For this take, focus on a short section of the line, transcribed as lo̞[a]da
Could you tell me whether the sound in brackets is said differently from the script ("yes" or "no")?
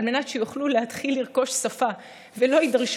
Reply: yes